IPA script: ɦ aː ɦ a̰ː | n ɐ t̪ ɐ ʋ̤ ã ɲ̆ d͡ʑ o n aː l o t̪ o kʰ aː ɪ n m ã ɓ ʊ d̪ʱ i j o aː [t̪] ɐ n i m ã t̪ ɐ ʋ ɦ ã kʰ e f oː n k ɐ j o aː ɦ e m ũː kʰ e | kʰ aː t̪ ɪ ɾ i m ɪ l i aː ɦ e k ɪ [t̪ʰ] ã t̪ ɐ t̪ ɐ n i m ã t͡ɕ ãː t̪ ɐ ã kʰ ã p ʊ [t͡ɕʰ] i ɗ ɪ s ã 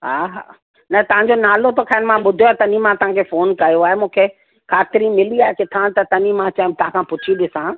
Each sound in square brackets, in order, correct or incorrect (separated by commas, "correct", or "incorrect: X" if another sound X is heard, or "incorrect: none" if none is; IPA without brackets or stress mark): correct, correct, correct